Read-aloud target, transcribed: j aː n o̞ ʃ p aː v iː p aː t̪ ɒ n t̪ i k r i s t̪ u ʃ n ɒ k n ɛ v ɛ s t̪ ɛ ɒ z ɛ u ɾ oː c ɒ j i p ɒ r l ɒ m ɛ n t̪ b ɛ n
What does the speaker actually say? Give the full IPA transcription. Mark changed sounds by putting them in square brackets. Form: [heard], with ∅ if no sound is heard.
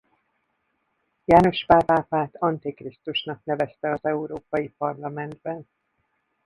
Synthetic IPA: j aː n o̞ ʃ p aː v [aː] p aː t̪ ɒ n t̪ i k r i s t̪ u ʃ n ɒ k n ɛ v ɛ s t̪ ɛ ɒ z ɛ u ɾ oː [p] ɒ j i p ɒ r l ɒ m ɛ n [d̪] b ɛ n